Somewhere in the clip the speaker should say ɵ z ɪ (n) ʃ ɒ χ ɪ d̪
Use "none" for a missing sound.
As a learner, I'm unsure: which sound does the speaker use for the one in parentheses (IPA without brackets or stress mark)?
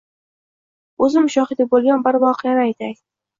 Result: m